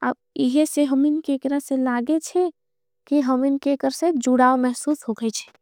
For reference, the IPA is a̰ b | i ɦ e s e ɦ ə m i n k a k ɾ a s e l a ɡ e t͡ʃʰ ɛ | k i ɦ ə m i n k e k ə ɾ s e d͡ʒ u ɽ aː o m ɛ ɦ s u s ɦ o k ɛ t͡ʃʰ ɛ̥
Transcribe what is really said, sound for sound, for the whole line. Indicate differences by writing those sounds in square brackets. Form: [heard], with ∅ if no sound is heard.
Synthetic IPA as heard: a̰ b | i ɦ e s e ɦ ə m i n k [e] k ɾ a s e l a ɡ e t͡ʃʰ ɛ | k i ɦ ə m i n k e k ə ɾ s e d͡ʒ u ɽ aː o m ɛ ɦ s u s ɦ o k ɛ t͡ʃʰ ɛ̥

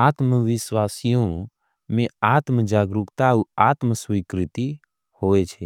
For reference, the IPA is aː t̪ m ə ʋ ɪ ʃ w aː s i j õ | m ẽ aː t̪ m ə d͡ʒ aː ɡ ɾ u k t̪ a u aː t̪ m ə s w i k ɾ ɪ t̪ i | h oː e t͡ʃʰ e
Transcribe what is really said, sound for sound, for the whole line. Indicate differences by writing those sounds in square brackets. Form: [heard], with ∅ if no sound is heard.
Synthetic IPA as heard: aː t̪ m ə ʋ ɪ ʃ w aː s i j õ | m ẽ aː t̪ m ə d͡ʒ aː ɡ ɾ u k t̪ a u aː t̪ m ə s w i k ɾ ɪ t̪ i | h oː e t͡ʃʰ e

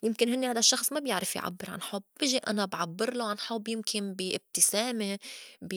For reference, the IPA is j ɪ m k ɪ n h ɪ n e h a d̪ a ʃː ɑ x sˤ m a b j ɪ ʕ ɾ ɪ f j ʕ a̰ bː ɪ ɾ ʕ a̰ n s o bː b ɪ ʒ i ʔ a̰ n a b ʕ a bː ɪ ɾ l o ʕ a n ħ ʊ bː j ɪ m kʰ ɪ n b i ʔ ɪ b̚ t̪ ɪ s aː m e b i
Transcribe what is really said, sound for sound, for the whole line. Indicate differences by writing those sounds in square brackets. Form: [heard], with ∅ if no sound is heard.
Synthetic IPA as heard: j ɪ m k ɪ n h ɪ [nː] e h a d̪ a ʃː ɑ x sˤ m a b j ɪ ʕ ɾ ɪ f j ʕ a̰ bː ɪ ɾ ʕ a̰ n [ħ] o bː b ɪ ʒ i ʔ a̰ n a b ʕ a bː ɪ ɾ l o ʕ a n ħ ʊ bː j ɪ m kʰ ɪ n b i ʔ ɪ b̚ t̪ ɪ s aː m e b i

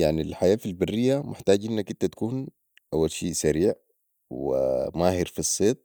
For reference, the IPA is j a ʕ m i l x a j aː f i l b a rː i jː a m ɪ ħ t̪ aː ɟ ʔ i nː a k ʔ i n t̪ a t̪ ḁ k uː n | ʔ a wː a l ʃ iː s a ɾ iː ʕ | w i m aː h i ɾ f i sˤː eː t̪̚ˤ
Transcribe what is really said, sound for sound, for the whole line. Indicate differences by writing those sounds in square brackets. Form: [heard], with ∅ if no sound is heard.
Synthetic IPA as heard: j a ʕ [n] i l [ħ] a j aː f i l b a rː i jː a m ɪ ħ t̪ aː ɟ ʔ i nː a k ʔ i n t̪ a t̪ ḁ k uː n | ʔ a wː a l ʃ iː s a ɾ iː ʕ | w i m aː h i ɾ f i sˤː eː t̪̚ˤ

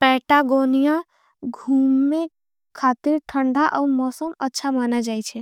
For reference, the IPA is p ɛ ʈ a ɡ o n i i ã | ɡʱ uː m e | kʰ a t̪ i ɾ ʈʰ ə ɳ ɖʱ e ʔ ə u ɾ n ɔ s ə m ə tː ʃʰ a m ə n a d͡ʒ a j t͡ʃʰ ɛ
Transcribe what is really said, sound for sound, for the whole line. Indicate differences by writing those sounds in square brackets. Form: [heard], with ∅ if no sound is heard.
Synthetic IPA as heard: p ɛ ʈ a ɡ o n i [j] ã | ɡʱ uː m e | kʰ a t̪ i ɾ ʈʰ ə ɳ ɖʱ [a] ʔ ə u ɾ [m] ɔ s ə m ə tː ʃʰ a m [a] n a d͡ʒ a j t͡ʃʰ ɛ

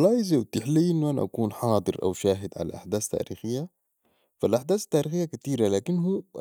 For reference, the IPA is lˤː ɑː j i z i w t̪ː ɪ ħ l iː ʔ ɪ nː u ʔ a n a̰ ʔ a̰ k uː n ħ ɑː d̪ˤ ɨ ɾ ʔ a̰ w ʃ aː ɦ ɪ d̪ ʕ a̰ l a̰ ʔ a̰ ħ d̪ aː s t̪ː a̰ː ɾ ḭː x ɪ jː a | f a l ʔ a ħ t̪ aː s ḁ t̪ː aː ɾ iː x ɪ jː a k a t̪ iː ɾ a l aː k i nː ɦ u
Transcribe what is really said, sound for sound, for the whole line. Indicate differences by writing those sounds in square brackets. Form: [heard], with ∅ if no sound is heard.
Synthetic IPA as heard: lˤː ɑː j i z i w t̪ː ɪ ħ l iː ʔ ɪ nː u ʔ a n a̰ ʔ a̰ k uː n ħ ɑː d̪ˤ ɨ ɾ ʔ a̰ w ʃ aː ɦ ɪ d̪ ʕ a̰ l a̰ ʔ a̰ ħ d̪ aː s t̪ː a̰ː ɾ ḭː x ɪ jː a | f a l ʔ a ħ [d̪] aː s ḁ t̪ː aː ɾ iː x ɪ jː a k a t̪ iː ɾ a l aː k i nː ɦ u

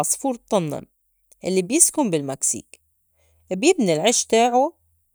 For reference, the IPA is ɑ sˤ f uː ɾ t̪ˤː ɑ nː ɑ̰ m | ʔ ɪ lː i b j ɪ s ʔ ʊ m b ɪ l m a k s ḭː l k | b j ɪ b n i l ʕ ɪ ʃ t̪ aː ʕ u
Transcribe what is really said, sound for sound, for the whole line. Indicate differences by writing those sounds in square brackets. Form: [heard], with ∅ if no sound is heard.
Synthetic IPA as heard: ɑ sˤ f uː ɾ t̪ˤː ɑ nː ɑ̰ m | ʔ ɪ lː i b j ɪ s [k] ʊ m b ɪ l m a k s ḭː [∅] k | b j ɪ b n i l ʕ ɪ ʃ t̪ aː ʕ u

